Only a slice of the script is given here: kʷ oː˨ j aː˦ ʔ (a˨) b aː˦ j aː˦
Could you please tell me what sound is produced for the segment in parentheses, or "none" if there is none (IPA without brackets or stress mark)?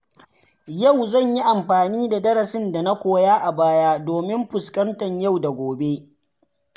a˨